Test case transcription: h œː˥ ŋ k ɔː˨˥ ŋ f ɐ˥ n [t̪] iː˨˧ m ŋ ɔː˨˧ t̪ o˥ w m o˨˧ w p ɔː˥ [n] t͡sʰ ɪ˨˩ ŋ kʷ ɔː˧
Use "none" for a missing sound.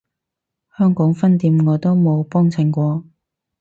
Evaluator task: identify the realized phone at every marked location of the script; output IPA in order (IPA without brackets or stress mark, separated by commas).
t̪, ŋ